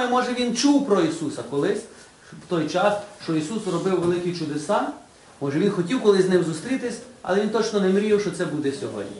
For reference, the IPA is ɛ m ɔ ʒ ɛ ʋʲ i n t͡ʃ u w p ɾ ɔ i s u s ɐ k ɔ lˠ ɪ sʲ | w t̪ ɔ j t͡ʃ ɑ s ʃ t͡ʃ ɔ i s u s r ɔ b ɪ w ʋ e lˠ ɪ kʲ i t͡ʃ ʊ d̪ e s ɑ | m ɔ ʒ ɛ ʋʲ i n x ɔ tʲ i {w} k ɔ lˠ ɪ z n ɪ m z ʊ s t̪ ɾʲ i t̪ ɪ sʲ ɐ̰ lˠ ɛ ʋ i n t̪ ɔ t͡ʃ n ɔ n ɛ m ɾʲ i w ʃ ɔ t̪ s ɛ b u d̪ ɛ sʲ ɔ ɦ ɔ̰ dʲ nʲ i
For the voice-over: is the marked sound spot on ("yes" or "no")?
yes